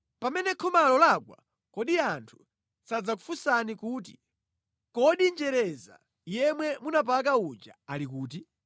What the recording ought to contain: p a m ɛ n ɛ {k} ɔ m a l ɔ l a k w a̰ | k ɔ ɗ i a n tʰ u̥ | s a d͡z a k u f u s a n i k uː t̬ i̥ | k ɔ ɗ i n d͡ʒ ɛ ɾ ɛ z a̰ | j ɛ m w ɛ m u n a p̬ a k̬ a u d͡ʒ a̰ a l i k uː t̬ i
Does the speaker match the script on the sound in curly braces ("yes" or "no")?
no